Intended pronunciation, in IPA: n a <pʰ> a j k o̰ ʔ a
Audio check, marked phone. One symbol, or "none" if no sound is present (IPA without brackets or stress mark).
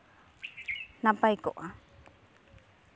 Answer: p